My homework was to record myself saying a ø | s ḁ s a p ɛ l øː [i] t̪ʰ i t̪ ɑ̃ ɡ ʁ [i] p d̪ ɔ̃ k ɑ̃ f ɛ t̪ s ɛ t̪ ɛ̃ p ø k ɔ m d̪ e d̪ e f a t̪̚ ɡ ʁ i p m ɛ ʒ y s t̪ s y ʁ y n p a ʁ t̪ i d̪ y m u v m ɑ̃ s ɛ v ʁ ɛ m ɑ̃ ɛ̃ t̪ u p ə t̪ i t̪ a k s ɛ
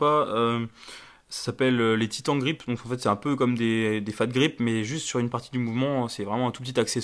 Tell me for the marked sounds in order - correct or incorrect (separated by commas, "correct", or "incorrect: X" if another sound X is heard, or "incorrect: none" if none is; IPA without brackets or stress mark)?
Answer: incorrect: e, correct